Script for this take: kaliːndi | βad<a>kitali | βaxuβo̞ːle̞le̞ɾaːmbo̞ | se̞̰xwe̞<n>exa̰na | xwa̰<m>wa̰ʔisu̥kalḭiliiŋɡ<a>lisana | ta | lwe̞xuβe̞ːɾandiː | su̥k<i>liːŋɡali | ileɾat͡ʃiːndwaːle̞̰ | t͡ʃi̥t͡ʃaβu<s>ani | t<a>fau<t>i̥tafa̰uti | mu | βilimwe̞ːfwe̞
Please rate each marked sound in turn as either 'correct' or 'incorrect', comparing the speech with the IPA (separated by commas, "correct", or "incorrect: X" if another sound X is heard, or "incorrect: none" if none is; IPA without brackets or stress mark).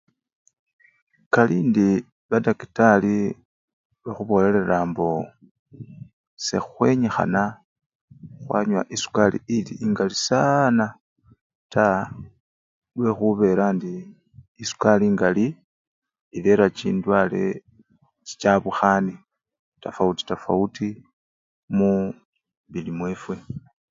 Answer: correct, incorrect: ɲ, incorrect: ɲ, correct, incorrect: a, incorrect: x, correct, correct